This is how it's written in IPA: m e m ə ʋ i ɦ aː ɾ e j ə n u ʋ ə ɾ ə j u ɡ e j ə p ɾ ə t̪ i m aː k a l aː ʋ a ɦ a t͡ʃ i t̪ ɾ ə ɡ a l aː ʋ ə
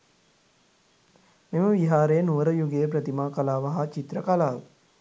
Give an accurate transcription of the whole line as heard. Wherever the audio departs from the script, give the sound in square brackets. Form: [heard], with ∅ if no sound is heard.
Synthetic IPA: m e m ə ʋ i ɦ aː ɾ e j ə n u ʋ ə ɾ ə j u ɡ e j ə p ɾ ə t̪ i m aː k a l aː ʋ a ɦ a t͡ʃ i t̪ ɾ ə [k] a l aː ʋ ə